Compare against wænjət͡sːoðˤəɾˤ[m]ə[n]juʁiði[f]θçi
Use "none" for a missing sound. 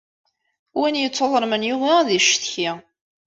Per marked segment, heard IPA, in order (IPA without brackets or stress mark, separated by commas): m, n, ʃ